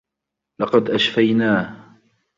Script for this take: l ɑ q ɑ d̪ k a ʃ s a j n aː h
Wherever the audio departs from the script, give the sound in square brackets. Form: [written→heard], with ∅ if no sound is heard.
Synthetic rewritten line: l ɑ q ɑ d̪ [k→ʔ] a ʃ [s→f] a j n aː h